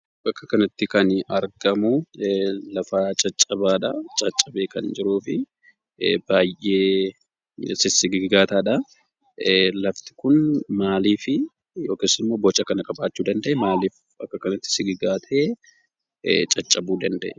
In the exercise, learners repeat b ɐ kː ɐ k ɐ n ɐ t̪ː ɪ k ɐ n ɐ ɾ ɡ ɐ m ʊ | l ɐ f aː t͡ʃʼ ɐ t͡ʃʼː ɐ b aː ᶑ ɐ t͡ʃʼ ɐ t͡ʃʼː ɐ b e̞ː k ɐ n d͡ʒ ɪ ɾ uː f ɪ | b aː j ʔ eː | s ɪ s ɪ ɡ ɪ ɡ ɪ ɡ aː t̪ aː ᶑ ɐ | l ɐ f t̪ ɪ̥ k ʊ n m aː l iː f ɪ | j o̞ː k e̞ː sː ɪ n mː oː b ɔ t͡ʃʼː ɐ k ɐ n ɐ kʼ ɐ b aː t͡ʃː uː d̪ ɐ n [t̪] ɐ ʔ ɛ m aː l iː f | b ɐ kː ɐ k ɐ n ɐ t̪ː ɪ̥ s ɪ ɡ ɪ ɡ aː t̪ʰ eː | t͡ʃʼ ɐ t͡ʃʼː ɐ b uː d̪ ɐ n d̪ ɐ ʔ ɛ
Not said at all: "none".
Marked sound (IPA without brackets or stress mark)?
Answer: d̪